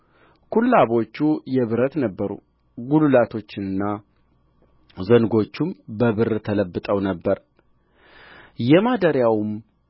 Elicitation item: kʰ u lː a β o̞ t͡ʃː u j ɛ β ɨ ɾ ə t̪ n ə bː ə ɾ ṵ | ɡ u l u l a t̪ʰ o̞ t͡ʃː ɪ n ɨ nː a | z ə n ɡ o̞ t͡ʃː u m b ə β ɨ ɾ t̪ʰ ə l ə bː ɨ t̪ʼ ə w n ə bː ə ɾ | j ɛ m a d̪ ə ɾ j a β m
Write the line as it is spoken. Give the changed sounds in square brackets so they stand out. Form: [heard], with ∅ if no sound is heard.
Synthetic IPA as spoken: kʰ u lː a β o̞ t͡ʃː u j ɛ β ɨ ɾ ə t̪ n ə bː ə ɾ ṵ | ɡ u l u l a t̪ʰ o̞ t͡ʃː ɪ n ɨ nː a | z ə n ɡ o̞ t͡ʃː u m b ə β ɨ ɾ t̪ʰ ə l ə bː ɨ t̪ʼ ə w n ə bː ə ɾ | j ɛ m a d̪ ə ɾ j a [w] m